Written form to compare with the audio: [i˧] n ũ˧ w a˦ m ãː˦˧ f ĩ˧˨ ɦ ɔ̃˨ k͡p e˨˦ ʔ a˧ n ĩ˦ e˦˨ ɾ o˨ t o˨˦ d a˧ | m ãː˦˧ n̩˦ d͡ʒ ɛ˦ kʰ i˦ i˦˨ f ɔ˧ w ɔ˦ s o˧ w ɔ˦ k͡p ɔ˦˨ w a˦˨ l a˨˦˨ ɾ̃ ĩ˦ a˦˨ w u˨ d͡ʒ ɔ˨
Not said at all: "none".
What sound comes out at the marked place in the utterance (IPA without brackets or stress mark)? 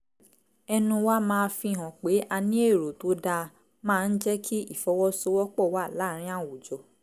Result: ɛ˧